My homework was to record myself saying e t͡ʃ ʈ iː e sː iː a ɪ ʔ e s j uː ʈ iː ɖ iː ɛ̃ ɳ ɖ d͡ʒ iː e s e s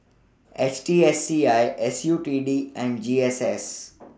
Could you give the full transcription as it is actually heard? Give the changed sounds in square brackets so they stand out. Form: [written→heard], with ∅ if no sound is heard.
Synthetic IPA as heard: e t͡ʃ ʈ iː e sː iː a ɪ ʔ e s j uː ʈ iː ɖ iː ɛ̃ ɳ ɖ d͡ʒ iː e s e s